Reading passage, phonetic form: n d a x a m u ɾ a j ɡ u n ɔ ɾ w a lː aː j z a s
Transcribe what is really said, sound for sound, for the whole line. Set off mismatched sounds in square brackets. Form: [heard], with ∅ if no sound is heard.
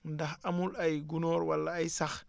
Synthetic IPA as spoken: n d a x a m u [l] a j ɡ u n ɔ ɾ w a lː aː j [s] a [x]